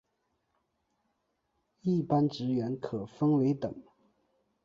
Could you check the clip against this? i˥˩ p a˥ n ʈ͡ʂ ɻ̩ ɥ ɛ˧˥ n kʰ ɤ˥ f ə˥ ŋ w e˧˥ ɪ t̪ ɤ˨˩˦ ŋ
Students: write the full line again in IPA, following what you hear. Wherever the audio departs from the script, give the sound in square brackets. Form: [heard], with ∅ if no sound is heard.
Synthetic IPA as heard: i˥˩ p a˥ n ʈ͡ʂ ɻ̩ ɥ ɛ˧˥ n kʰ [ɤ˨˩] f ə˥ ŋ w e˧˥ ɪ t̪ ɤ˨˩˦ ŋ

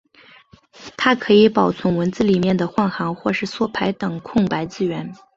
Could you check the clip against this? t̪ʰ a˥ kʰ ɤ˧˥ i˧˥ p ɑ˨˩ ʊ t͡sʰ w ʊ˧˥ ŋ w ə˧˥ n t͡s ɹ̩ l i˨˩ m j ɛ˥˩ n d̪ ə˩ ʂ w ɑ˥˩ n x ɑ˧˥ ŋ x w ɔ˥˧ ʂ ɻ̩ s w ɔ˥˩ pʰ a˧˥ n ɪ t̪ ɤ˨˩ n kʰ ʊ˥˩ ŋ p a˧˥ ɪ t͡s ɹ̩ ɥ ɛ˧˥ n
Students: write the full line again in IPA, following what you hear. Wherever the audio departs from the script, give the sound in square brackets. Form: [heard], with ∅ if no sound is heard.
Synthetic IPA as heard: t̪ʰ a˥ kʰ ɤ˧˥ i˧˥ p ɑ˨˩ ʊ t͡sʰ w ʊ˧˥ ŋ w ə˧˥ n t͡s ɹ̩ l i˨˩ m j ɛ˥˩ n d̪ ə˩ [x] w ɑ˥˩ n x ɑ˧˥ ŋ x w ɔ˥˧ ʂ ɻ̩ s w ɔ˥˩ pʰ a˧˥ [∅] ɪ t̪ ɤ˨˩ [ŋ] kʰ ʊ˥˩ ŋ p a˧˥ ɪ t͡s ɹ̩ ɥ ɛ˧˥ n

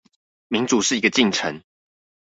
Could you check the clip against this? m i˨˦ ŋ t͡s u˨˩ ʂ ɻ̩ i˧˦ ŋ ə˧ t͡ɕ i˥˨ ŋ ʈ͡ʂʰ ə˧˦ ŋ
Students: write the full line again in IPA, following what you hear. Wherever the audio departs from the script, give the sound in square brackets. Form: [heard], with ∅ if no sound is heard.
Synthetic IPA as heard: m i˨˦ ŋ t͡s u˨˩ ʂ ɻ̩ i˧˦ [ɡ] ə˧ t͡ɕ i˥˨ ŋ ʈ͡ʂʰ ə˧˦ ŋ

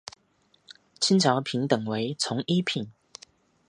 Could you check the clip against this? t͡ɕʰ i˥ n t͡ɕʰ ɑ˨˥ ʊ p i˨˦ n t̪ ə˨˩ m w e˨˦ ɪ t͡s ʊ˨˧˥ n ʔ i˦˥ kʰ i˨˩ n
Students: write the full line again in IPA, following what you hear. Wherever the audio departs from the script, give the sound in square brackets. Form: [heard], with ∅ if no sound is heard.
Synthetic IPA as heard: t͡ɕʰ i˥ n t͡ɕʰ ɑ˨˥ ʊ [pʰ] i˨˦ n t̪ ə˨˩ [ŋ] w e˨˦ ɪ [t͡sʰ] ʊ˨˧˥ [ŋ] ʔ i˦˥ [pʰ] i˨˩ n

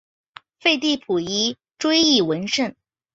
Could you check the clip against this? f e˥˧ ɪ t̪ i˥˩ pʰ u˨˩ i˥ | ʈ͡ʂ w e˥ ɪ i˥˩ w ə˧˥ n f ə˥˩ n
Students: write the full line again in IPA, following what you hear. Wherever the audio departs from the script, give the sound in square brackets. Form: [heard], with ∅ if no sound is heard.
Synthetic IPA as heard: f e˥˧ ɪ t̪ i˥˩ pʰ u˨˩ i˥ | ʈ͡ʂ w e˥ ɪ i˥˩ w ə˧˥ n [ʂ] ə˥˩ n

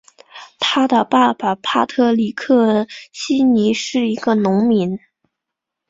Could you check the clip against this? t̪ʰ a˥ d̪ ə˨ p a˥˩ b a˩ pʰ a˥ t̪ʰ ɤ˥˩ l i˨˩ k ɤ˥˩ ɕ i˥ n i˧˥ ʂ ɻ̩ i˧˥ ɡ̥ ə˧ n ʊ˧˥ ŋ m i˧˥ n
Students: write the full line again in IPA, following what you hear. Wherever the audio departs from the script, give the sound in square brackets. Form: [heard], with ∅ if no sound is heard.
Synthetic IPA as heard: t̪ʰ a˥ d̪ ə˨ p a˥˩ b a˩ pʰ a˥ t̪ʰ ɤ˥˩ l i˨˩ [kʰ] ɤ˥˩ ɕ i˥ n i˧˥ ʂ ɻ̩ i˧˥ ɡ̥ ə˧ n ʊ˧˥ ŋ m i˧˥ n

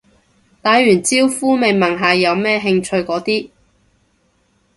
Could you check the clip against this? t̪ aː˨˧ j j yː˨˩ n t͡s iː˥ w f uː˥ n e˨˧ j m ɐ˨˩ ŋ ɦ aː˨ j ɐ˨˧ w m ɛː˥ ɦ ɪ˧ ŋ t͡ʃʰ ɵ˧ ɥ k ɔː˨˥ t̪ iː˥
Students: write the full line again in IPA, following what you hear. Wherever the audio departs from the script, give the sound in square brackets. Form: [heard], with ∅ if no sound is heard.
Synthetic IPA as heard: t̪ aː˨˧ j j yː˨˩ n t͡s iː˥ w f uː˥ [m] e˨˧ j m ɐ˨˩ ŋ ɦ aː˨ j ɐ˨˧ w m ɛː˥ ɦ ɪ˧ ŋ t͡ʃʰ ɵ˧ ɥ k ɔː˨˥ t̪ iː˥

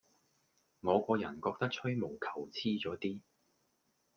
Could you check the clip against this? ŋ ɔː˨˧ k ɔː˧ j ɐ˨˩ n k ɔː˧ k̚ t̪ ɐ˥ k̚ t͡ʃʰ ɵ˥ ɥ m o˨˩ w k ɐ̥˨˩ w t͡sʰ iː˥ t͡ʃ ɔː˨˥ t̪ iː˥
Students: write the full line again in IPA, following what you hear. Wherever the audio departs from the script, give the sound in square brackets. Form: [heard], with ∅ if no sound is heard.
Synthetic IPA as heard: ŋ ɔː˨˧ k ɔː˧ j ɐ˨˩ n k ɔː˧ k̚ t̪ ɐ˥ k̚ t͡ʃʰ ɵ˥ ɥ m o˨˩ w [kʰ] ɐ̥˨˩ w t͡sʰ iː˥ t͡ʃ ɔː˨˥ t̪ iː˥

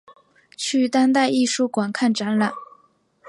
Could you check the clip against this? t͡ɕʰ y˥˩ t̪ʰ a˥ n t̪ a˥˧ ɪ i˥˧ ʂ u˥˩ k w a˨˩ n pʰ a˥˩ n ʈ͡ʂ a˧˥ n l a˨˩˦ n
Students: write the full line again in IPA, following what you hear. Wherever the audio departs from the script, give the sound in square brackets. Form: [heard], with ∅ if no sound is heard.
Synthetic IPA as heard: t͡ɕʰ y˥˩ [t̪] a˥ n t̪ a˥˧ ɪ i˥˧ ʂ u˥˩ k w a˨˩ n [kʰ] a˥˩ n ʈ͡ʂ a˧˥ n l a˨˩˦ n

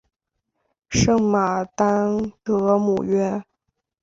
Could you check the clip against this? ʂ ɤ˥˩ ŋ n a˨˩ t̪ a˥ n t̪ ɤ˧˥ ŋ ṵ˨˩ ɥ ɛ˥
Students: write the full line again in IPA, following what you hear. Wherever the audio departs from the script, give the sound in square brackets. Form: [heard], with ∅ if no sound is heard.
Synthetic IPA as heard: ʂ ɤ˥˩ ŋ [m] a˨˩ t̪ a˥ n t̪ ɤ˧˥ [m] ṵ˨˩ ɥ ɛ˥

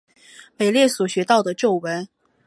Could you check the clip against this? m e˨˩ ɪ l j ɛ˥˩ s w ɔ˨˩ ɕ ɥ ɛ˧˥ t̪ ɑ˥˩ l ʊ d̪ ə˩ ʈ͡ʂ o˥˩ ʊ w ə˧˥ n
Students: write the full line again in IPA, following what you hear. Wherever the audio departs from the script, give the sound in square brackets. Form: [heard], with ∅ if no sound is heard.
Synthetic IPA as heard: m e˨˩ ɪ l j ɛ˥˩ s w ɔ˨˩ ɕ ɥ ɛ˧˥ t̪ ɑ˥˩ [∅] ʊ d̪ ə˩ ʈ͡ʂ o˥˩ ʊ w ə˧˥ n

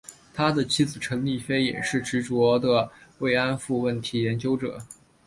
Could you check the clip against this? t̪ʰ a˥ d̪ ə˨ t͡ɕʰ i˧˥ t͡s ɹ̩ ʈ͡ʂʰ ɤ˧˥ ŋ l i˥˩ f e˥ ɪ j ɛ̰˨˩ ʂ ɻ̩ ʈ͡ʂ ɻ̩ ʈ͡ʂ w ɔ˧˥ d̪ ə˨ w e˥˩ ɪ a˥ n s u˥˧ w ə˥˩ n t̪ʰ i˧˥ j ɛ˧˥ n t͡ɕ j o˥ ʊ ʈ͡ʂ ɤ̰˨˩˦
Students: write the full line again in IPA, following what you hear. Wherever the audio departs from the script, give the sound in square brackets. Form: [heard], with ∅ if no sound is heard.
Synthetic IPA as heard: t̪ʰ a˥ d̪ ə˨ t͡ɕʰ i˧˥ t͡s ɹ̩ ʈ͡ʂʰ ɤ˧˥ ŋ l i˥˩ f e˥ ɪ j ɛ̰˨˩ ʂ ɻ̩ ʈ͡ʂ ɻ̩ ʈ͡ʂ w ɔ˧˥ d̪ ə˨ w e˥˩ ɪ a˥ n [f] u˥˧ w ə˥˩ n t̪ʰ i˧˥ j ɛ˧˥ n t͡ɕ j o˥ ʊ ʈ͡ʂ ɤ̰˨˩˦

